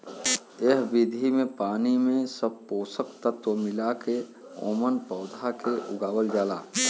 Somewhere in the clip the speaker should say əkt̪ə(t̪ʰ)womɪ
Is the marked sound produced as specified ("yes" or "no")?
no